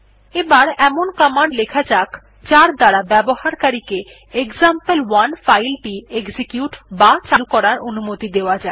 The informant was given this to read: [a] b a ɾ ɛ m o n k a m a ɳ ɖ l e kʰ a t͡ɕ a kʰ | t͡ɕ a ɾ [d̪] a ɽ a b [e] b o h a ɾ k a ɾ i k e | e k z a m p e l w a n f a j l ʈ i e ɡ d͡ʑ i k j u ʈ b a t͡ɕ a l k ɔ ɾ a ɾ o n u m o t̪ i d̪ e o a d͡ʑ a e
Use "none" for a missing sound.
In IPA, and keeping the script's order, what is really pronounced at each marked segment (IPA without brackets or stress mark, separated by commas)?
e, d̪, ɛ